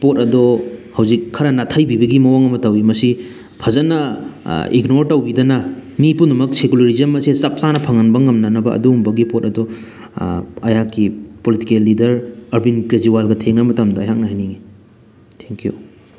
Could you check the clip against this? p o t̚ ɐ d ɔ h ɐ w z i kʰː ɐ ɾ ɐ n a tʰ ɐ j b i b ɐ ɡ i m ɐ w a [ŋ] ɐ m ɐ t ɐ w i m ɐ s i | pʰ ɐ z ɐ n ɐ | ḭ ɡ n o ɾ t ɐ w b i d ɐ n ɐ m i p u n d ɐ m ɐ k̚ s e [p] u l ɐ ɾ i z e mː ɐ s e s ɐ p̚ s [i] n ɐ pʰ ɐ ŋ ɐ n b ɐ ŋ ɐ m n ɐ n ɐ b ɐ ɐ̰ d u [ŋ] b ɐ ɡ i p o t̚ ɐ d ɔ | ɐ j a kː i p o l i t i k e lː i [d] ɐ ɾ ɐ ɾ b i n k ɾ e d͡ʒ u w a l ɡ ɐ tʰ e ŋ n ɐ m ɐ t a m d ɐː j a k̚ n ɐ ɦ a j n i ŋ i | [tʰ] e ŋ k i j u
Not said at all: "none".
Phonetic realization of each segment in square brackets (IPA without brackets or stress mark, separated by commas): ŋ, k, a, m, d, tʰ